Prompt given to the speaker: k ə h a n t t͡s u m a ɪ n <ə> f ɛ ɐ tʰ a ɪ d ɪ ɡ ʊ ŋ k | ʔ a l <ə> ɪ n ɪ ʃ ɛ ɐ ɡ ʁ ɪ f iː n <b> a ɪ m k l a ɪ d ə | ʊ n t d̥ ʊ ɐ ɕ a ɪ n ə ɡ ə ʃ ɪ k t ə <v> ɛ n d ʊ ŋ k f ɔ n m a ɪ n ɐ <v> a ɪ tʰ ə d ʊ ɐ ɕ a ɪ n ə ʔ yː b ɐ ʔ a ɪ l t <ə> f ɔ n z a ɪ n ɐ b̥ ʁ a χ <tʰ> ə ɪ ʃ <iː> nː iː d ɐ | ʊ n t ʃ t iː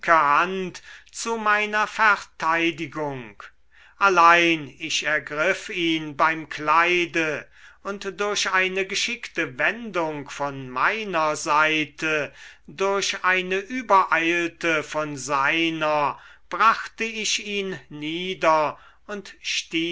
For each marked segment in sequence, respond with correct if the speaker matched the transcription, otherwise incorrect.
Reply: incorrect: ɐ, incorrect: a, correct, correct, incorrect: z, correct, incorrect: t, correct

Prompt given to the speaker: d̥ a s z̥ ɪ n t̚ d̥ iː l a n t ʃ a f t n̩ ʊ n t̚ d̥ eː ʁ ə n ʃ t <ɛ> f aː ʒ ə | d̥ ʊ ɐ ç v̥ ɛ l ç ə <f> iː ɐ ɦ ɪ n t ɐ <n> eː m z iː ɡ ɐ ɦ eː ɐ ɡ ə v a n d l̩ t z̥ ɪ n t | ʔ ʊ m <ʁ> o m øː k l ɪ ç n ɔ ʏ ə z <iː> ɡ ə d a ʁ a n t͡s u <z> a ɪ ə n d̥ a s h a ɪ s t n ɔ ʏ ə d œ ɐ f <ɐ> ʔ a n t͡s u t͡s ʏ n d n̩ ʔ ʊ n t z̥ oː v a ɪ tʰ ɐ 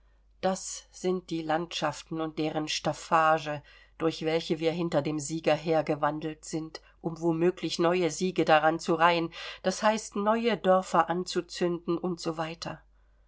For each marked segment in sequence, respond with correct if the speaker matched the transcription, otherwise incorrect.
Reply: incorrect: a, incorrect: v, incorrect: d, incorrect: v, correct, incorrect: ʁ, correct

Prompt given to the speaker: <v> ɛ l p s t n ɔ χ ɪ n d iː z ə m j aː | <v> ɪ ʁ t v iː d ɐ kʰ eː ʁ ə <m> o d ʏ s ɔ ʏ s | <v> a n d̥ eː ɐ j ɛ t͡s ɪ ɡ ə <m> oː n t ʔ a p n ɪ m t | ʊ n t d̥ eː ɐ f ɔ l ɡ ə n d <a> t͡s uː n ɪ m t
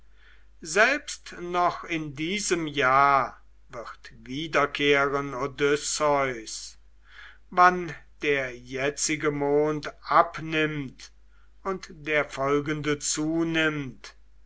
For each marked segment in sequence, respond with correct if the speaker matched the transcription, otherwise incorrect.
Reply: incorrect: z, correct, incorrect: n, correct, correct, incorrect: ə

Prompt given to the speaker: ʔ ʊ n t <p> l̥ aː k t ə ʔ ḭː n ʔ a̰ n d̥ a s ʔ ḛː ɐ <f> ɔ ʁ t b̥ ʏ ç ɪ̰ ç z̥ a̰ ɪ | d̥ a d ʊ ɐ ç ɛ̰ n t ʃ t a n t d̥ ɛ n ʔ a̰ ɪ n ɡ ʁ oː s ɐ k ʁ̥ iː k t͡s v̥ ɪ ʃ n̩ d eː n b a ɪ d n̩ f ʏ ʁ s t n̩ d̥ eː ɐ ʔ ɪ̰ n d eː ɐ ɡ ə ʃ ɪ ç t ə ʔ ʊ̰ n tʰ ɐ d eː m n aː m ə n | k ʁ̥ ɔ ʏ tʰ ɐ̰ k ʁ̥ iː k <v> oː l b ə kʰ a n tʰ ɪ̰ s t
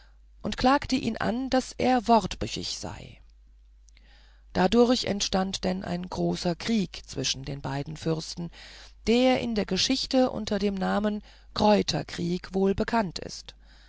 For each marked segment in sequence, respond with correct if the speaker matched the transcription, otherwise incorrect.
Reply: incorrect: k, incorrect: v, correct

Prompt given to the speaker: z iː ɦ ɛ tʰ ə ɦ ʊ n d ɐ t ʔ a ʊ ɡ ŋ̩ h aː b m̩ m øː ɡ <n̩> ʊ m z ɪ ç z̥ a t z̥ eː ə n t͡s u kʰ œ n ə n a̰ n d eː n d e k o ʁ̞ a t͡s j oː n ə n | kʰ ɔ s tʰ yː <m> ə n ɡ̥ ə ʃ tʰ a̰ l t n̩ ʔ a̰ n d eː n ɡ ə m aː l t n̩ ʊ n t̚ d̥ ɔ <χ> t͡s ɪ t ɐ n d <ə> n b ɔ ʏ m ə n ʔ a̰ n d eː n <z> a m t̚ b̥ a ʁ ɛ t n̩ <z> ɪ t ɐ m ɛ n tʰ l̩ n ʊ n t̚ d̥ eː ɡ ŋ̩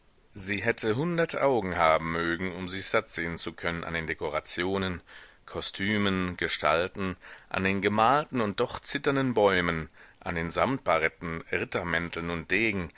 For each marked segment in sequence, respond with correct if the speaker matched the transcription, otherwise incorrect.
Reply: incorrect: ŋ̩, correct, correct, correct, correct, incorrect: ʁ

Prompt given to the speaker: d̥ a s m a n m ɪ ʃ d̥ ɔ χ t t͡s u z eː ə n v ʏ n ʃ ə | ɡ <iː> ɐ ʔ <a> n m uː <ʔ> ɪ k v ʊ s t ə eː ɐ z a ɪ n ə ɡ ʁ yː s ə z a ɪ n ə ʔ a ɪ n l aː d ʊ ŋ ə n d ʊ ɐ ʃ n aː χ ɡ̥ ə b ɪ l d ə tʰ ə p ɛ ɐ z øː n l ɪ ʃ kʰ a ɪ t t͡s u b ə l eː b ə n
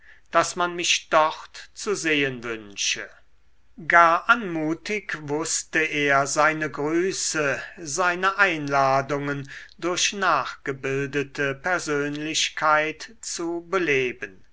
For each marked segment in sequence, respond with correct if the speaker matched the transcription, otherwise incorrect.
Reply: incorrect: aː, correct, incorrect: t

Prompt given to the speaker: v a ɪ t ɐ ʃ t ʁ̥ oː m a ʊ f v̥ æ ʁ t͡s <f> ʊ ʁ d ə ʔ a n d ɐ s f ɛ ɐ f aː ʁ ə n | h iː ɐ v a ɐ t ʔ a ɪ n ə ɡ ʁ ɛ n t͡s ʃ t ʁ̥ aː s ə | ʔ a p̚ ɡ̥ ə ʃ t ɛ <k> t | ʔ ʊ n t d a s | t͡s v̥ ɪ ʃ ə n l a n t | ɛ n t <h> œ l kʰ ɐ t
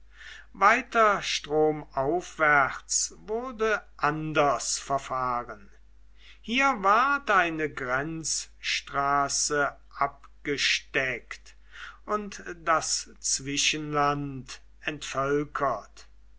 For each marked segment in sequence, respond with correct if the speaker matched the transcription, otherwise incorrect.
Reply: incorrect: v, correct, incorrect: f

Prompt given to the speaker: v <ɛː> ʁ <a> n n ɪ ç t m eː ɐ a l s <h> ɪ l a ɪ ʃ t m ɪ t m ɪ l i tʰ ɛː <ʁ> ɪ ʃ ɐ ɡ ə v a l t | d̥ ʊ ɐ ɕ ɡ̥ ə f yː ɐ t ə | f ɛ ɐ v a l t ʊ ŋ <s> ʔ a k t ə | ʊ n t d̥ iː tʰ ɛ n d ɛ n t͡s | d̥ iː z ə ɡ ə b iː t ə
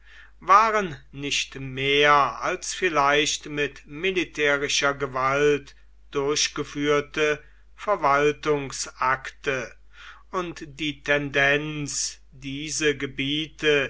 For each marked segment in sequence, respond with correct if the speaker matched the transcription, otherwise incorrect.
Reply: incorrect: aː, incorrect: ə, incorrect: f, correct, correct

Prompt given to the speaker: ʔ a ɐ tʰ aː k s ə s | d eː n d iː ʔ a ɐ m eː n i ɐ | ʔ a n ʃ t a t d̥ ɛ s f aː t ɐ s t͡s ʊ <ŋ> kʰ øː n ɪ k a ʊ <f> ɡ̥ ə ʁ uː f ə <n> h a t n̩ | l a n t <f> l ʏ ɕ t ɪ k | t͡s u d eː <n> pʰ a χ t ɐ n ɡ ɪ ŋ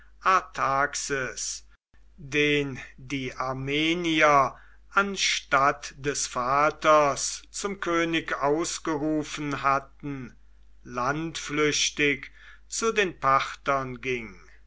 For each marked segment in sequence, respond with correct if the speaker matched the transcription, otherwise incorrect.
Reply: incorrect: m, incorrect: s, correct, correct, correct

